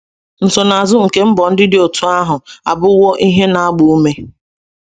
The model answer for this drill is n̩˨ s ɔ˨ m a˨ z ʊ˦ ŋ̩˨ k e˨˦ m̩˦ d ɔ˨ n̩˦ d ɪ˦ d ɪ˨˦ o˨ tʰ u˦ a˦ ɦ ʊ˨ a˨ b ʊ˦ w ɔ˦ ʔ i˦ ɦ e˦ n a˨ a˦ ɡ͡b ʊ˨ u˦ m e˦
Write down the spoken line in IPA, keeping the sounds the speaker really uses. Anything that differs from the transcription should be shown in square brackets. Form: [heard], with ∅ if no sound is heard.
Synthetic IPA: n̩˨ s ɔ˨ [n] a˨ z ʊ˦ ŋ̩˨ k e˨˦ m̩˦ [b] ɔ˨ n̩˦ d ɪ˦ d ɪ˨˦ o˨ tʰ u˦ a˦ ɦ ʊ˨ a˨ b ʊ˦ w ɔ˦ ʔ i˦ ɦ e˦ n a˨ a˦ ɡ͡b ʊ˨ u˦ m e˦